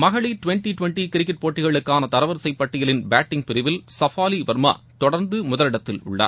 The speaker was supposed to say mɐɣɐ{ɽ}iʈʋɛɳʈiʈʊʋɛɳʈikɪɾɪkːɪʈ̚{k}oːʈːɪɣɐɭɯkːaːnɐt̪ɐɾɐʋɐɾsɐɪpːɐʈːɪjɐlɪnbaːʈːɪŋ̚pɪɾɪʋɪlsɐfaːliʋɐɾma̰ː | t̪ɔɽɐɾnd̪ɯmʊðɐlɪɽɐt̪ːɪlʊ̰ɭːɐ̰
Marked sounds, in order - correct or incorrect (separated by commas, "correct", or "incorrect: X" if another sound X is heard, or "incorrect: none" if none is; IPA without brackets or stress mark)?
incorrect: ɭ, incorrect: p